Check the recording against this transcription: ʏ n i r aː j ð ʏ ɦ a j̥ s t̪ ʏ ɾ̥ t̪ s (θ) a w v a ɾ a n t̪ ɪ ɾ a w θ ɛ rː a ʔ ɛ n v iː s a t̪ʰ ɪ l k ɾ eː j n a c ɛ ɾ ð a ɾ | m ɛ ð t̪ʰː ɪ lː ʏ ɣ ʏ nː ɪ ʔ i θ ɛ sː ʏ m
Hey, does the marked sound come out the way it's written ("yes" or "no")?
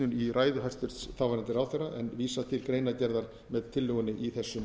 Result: yes